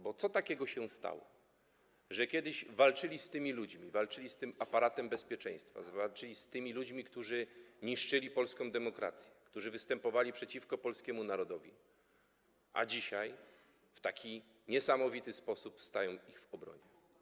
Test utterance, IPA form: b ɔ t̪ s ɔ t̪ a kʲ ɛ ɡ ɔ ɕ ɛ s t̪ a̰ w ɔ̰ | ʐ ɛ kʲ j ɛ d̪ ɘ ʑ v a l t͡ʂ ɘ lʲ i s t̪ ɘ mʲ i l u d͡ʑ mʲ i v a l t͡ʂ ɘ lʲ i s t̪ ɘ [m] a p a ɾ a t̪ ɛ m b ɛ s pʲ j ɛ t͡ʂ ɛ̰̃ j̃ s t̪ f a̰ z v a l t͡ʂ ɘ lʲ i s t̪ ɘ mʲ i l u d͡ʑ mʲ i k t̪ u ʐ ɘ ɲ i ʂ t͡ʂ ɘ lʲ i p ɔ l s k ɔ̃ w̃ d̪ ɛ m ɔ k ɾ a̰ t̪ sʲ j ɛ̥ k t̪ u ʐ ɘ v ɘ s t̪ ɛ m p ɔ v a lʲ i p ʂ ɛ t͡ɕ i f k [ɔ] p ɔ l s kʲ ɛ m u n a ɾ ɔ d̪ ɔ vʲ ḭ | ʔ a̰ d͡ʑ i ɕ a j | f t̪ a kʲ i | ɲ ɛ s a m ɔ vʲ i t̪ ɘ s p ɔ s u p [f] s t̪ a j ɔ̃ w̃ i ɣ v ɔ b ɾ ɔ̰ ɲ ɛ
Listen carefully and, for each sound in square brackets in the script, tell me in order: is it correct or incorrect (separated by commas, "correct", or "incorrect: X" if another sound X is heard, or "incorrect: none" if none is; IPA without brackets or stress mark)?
correct, correct, correct